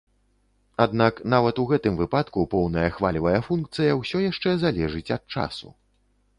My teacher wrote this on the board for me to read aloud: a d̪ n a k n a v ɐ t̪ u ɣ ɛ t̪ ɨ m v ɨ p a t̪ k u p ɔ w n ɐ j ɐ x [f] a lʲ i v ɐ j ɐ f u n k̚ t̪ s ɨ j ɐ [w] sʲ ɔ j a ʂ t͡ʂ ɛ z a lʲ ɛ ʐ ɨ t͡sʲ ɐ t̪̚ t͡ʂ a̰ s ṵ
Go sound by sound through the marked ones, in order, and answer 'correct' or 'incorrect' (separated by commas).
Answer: incorrect, correct